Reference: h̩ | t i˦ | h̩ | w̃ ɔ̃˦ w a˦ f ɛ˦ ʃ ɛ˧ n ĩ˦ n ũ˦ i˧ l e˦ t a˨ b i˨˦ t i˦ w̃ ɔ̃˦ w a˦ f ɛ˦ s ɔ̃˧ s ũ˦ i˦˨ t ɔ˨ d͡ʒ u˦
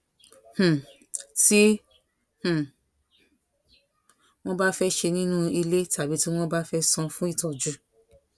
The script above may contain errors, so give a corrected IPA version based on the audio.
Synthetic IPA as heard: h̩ | t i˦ | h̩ | w̃ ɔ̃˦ b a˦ f ɛ˦ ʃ e˧ n ĩ˦ n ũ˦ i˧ l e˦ t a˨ b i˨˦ t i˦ w̃ ɔ̃˦ b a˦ f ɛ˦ s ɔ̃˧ f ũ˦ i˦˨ t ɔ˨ d͡ʒ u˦

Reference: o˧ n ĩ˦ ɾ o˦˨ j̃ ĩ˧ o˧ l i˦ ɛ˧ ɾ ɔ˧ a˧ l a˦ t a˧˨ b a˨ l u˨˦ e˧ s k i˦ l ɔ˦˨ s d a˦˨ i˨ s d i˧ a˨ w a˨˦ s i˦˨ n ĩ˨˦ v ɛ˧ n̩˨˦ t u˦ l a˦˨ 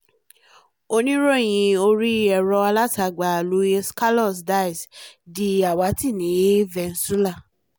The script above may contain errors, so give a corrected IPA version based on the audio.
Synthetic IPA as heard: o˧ n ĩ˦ ɾ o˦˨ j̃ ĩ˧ o˧ ɾ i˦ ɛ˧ ɾ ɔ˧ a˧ l a˦ t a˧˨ ɡ͡b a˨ l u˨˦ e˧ s k a˦ l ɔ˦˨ s d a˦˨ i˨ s d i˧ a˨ w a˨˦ t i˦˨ n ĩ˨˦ v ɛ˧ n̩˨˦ s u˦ l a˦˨

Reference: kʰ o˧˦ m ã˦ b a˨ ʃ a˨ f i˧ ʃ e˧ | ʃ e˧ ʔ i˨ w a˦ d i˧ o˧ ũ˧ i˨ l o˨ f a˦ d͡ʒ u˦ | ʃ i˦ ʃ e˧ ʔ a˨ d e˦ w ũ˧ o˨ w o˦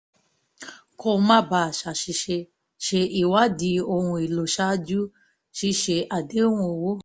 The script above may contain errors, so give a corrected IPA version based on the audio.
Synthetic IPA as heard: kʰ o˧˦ m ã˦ b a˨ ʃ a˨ ʃ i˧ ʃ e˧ | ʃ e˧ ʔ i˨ w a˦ d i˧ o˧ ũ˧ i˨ l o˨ ʃ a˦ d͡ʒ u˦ | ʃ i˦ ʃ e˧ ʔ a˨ d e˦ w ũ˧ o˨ w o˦

